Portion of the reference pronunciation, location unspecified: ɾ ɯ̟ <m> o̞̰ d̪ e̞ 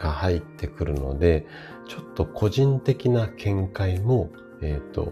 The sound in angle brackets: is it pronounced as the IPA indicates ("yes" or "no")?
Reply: no